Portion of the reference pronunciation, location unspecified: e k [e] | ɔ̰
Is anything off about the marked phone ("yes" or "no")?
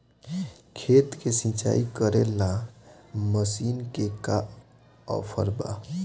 yes